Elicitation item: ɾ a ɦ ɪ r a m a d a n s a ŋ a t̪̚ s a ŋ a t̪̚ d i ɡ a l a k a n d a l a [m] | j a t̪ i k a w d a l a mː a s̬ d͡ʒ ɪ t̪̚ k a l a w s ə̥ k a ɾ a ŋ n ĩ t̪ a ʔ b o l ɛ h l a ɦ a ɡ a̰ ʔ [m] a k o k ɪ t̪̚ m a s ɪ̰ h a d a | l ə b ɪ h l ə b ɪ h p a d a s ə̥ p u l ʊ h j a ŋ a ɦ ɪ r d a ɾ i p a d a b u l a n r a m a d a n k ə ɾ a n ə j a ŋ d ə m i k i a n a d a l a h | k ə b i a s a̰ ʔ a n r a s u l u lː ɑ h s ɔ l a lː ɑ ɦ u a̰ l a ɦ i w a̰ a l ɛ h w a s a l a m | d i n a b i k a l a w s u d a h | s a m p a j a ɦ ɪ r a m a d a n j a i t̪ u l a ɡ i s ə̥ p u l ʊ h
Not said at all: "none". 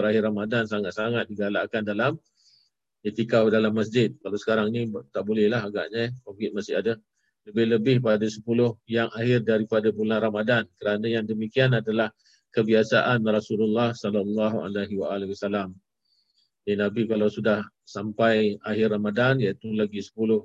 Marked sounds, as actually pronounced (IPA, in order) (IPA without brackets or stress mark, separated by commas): m, ɲ